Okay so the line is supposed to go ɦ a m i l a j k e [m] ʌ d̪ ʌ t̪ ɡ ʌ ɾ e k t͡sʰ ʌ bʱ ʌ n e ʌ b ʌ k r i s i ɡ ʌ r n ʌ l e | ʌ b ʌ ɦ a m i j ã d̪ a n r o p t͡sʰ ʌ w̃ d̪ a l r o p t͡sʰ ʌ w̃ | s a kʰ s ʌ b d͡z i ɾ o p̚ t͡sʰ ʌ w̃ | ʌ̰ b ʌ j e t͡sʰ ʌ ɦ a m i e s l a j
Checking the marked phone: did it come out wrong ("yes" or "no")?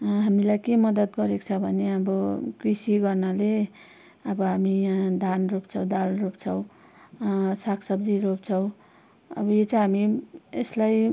no